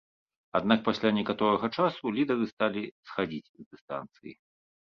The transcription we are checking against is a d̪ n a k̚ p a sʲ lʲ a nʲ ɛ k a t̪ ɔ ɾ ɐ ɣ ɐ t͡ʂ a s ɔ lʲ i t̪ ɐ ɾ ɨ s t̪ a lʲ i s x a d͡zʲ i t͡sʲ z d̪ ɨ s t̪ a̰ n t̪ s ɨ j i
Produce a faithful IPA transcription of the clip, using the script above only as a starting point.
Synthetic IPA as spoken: a d̪ n a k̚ p a sʲ lʲ a nʲ ɛ k a t̪ ɔ ɾ ɐ ɣ ɐ t͡ʂ a s u lʲ i d̪ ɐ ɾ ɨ s t̪ a lʲ i s x a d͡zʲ i t͡sʲ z d̪ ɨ s t̪ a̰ n t̪ s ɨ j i